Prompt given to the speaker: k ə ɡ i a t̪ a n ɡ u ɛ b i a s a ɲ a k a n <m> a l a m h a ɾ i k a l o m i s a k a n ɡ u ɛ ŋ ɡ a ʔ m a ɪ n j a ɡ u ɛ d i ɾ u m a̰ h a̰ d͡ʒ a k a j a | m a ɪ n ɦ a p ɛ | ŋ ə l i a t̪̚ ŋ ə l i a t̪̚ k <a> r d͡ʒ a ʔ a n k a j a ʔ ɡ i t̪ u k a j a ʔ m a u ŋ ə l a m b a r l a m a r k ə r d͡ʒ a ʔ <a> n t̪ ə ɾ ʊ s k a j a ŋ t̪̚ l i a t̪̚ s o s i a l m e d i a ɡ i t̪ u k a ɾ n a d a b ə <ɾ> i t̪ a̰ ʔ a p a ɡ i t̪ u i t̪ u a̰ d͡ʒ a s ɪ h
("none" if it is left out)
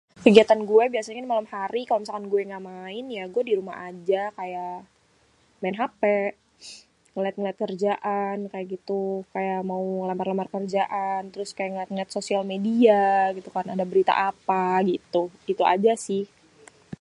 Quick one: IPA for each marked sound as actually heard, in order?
m, ə, a, ɾ

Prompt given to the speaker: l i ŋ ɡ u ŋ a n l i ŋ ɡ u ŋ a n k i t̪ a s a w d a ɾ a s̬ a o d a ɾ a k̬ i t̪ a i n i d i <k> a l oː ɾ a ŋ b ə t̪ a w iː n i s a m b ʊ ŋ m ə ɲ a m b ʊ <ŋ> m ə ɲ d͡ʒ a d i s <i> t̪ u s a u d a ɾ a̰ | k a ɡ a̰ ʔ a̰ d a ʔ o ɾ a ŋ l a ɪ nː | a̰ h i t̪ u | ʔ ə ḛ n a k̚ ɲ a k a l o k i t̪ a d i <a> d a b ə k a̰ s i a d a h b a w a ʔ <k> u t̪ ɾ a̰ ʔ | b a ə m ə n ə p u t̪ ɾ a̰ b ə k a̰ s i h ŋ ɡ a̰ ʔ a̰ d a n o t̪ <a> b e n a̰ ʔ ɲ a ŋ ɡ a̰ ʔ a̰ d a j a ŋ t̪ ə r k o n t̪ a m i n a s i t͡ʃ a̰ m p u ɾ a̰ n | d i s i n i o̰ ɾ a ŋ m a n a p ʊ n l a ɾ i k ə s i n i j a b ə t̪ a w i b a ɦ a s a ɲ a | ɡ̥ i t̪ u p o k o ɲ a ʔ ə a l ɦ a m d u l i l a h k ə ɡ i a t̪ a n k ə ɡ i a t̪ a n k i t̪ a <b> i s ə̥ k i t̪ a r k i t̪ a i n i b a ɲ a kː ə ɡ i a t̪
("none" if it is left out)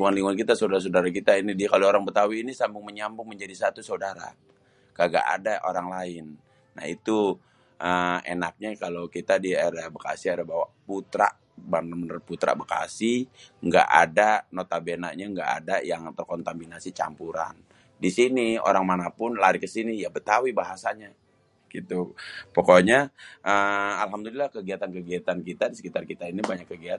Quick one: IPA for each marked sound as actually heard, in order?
k, ŋ, a, a, p, a, d

